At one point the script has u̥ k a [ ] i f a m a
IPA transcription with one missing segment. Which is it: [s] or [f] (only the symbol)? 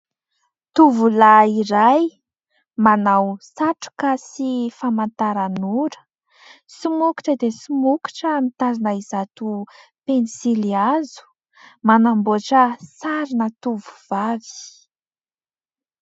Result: s